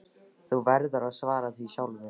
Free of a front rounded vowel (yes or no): yes